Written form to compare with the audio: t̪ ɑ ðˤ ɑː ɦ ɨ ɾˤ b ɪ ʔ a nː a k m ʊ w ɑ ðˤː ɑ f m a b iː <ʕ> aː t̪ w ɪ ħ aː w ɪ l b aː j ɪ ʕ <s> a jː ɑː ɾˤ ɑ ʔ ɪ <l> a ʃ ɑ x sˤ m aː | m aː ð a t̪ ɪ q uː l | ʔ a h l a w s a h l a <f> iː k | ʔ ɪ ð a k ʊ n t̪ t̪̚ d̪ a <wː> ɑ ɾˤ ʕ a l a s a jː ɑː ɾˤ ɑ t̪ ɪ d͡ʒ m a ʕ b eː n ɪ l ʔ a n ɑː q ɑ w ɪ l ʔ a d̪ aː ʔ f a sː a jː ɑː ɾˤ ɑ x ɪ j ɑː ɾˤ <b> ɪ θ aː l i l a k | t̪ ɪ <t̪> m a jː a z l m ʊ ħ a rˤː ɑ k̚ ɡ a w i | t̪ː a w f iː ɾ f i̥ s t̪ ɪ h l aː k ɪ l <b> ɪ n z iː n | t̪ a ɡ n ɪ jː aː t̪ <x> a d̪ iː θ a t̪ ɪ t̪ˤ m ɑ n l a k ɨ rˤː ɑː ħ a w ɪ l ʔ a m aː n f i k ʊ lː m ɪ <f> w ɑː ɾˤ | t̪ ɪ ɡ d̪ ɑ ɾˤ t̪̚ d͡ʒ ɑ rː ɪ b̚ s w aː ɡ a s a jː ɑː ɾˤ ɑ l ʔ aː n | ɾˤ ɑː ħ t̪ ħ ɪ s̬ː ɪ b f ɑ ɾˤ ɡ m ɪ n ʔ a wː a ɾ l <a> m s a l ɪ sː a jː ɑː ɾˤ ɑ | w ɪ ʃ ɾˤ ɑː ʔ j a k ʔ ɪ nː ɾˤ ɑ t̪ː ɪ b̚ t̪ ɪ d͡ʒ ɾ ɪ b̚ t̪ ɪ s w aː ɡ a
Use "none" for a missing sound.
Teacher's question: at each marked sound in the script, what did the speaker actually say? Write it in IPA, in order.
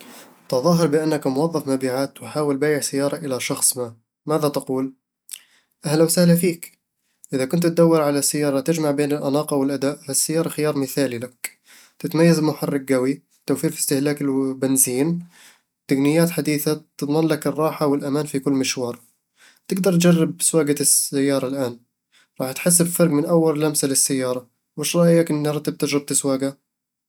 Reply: ʕ, s, l, f, wː, m, t̪, b, ħ, ʃ, a

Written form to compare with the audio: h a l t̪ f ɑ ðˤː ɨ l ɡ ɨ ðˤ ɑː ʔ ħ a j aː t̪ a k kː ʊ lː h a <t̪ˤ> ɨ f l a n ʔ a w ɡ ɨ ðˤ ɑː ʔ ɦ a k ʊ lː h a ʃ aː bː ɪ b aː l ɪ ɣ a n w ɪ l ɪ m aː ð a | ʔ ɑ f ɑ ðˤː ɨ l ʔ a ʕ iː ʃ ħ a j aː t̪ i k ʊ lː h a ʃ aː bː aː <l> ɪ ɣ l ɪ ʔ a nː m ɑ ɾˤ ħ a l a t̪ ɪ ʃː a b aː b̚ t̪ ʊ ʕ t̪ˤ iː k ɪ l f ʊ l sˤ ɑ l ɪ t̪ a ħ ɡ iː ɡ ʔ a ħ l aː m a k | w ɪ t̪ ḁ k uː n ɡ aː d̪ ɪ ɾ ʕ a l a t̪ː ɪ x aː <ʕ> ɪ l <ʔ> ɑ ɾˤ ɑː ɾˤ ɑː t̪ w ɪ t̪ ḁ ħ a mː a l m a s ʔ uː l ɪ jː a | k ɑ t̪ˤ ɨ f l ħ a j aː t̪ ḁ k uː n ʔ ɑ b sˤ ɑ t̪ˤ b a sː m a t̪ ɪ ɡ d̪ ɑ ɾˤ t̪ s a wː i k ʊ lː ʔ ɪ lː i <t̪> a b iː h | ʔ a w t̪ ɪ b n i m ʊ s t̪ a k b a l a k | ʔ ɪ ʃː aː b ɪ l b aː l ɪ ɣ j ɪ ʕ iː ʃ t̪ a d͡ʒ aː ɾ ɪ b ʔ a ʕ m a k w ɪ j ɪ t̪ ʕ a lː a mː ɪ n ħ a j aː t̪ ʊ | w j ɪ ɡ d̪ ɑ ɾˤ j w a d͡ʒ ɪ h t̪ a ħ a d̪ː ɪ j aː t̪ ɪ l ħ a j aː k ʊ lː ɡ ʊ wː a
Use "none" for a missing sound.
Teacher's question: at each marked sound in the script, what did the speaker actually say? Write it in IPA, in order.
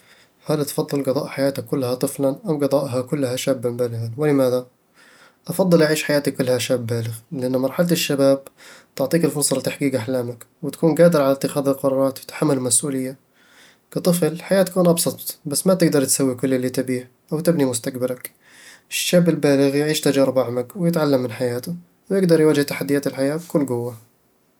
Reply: t̪ˤ, l, ð, q, t̪

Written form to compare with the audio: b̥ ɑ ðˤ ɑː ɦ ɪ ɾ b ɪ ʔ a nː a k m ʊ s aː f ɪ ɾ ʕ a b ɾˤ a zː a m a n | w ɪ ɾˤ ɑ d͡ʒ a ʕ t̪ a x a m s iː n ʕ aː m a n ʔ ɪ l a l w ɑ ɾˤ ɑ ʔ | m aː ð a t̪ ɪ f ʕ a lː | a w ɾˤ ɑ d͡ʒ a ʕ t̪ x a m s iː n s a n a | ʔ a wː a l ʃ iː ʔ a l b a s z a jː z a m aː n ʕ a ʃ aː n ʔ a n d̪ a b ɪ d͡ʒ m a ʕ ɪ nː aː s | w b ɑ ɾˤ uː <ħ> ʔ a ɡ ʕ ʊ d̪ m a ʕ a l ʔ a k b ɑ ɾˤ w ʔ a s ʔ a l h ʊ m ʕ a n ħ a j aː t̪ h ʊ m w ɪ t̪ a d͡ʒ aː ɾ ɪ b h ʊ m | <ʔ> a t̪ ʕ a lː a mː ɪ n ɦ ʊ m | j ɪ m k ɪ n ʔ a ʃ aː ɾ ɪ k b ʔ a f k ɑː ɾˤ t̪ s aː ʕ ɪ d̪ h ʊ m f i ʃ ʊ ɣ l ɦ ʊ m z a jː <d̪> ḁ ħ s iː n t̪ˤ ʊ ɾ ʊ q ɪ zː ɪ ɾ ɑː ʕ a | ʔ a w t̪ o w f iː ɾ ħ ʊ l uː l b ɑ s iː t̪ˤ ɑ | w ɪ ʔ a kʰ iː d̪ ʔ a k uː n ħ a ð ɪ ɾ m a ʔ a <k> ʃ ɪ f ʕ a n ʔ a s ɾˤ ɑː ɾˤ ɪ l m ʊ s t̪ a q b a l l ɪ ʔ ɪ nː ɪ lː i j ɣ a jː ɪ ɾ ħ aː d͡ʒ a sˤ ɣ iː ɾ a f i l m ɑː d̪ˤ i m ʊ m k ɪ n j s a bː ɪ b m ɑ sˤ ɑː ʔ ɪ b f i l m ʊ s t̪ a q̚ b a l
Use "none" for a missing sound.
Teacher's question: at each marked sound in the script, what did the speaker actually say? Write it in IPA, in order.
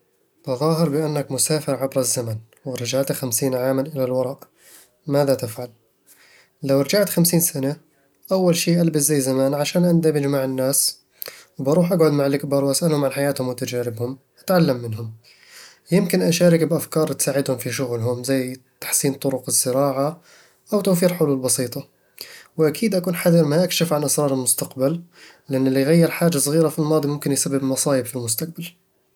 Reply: ħ, ʔ, t̪, k

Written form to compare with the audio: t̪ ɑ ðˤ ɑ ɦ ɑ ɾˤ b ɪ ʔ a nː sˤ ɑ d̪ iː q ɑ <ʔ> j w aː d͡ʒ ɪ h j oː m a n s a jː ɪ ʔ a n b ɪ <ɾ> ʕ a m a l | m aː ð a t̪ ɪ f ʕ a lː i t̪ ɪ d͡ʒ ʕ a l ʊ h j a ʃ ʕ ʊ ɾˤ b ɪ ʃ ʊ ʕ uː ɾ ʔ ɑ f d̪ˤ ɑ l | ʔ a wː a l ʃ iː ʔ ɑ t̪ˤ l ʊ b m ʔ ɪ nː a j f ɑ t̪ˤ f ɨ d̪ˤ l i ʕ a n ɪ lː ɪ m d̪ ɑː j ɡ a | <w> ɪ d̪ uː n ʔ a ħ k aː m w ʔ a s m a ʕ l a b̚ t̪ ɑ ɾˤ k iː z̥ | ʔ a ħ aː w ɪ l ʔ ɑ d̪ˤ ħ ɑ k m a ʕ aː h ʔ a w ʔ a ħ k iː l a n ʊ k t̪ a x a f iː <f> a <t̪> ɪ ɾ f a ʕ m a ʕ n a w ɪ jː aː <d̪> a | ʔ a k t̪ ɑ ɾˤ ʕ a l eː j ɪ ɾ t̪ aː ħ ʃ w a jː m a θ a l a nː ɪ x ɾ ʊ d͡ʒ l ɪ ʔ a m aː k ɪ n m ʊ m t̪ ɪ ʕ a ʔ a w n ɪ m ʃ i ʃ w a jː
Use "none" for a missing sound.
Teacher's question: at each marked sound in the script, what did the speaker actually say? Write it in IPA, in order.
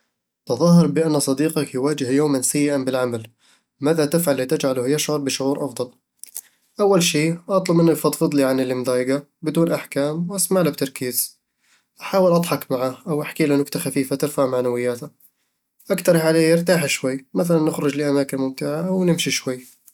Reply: k, l, b, f, t̪, t̪

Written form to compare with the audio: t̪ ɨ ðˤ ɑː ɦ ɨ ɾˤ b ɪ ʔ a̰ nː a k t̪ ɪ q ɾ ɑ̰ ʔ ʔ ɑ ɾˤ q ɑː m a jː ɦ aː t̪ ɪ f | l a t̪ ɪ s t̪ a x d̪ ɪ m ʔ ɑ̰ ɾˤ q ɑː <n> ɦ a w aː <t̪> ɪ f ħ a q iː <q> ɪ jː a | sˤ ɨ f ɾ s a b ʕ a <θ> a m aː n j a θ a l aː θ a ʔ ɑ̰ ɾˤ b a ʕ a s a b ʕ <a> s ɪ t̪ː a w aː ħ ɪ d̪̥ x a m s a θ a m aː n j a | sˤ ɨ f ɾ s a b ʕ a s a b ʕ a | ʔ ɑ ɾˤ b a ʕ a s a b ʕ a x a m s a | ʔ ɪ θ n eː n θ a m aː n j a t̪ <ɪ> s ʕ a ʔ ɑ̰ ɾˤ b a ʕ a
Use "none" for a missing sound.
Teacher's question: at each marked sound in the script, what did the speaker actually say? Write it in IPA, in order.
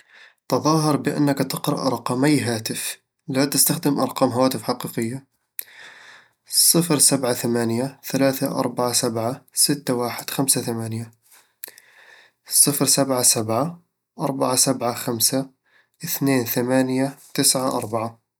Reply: m, t̪, q, θ, a, ɪ

